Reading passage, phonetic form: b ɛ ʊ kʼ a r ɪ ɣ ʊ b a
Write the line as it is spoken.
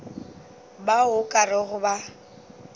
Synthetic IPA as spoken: b a ʊ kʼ a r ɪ ɣ ʊ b a

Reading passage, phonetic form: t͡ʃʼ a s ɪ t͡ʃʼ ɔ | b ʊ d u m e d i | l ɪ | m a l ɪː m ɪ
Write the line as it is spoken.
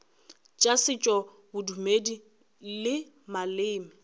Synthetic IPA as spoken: t͡ʃʼ a s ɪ t͡ʃʼ ɔ | b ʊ d u m e d i | l ɪ | m a l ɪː m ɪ

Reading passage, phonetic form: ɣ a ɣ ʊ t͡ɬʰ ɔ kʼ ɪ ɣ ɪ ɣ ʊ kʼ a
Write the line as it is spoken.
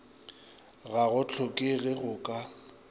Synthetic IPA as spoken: ɣ a ɣ ʊ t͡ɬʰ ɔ kʼ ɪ ɣ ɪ ɣ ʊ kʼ a

